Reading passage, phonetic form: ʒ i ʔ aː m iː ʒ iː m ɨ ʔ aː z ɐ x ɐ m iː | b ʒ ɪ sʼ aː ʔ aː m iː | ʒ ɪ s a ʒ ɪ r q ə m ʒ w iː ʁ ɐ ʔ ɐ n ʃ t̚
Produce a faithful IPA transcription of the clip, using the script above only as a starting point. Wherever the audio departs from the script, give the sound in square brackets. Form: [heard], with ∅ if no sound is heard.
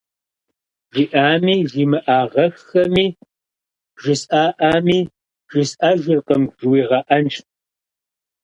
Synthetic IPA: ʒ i ʔ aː m iː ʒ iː m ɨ ʔ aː [ʁ] ɐ x ɐ m iː | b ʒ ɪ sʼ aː ʔ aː m iː | ʒ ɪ s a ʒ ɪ r q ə m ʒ w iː ʁ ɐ ʔ ɐ n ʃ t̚